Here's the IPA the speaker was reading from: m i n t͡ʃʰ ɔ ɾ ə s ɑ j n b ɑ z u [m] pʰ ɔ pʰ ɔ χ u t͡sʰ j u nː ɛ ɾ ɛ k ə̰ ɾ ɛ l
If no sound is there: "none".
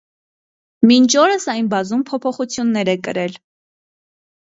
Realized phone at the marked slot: m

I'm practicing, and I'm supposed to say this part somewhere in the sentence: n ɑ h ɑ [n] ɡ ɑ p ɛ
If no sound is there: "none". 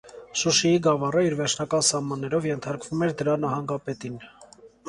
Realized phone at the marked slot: ŋ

